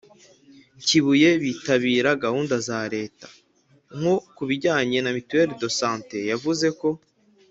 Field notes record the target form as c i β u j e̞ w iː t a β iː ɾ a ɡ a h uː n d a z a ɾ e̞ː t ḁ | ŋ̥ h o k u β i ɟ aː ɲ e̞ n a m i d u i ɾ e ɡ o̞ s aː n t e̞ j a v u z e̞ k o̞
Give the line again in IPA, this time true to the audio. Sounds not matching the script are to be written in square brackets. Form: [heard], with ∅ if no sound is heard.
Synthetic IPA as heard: c i β u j e̞ [β] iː t a β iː ɾ a ɡ a h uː n d a z a ɾ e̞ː t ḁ | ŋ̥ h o k u β i ɟ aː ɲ e̞ n a m i [t] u [e] ɾ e [d] o̞ s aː n t e̞ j a v u z e̞ k o̞